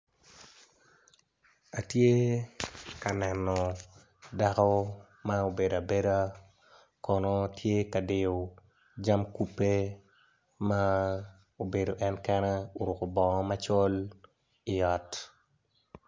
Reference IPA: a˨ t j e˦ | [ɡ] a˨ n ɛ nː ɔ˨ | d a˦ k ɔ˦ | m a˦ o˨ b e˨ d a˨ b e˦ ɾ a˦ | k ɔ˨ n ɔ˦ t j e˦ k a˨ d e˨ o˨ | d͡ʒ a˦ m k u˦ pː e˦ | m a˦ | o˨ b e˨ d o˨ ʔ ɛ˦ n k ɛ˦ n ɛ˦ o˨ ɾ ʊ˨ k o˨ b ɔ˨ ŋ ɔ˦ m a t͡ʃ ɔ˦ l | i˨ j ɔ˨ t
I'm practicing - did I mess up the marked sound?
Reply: yes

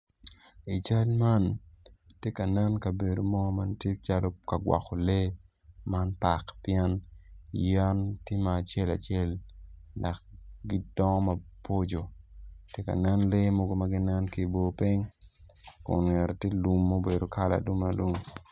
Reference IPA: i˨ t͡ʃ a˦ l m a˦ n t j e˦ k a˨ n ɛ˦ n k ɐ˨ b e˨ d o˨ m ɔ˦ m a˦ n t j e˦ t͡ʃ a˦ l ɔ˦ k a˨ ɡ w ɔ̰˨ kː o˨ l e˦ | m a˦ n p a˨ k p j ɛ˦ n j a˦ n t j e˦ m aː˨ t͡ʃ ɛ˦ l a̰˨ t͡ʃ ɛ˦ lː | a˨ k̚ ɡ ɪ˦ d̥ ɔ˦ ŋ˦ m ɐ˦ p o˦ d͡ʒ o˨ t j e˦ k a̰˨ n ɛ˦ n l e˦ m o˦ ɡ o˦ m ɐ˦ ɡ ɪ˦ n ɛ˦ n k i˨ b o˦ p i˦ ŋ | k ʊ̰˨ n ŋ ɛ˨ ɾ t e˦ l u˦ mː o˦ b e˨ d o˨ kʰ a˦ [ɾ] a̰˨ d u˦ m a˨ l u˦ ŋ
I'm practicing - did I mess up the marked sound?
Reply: yes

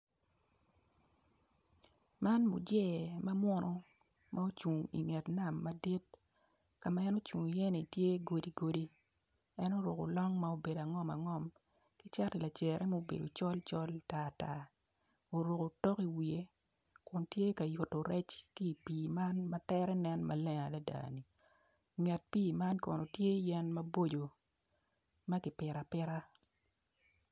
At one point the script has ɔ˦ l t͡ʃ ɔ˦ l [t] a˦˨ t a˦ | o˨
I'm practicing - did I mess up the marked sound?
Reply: no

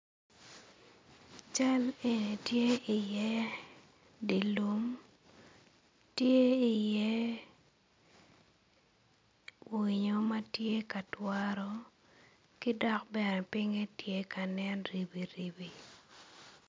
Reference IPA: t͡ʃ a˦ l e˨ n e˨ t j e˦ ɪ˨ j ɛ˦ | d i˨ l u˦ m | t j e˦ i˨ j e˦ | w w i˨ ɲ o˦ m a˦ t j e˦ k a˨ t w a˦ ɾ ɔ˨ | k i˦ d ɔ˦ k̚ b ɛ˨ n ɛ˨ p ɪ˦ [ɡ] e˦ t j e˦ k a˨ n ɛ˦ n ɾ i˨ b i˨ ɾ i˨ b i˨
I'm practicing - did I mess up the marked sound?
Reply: yes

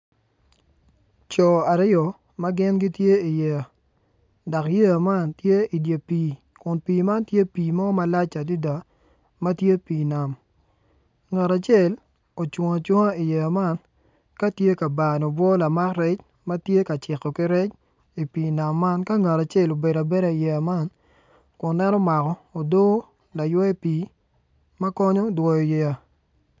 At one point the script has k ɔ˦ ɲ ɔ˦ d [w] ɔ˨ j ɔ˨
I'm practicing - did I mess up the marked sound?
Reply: no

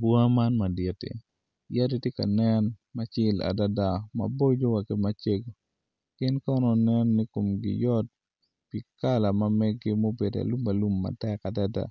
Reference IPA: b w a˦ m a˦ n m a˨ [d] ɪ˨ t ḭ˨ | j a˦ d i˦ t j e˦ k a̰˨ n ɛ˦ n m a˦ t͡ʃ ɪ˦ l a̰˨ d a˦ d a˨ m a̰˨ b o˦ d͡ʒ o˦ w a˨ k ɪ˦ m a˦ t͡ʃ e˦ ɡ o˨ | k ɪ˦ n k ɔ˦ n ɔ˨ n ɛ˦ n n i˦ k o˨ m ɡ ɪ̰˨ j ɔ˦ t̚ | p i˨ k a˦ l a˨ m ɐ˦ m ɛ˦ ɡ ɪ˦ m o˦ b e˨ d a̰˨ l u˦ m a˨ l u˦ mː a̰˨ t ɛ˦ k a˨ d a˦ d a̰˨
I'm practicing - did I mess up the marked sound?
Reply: no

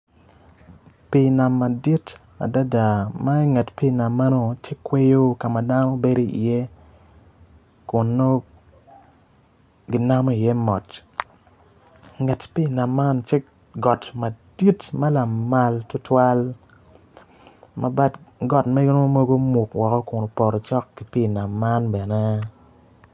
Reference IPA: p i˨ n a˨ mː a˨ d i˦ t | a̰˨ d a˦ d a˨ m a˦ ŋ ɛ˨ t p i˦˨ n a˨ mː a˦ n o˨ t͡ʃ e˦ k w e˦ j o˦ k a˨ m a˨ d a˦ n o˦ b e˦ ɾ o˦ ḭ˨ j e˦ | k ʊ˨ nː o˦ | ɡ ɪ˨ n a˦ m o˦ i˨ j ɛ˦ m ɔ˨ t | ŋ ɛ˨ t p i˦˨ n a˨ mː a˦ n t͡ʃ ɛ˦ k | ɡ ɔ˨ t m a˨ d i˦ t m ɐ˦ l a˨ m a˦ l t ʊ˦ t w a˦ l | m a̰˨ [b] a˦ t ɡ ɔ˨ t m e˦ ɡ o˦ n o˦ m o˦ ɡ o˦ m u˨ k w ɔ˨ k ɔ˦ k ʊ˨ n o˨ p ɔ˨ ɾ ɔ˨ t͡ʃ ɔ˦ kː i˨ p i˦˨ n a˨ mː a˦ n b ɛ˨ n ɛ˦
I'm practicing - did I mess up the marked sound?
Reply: no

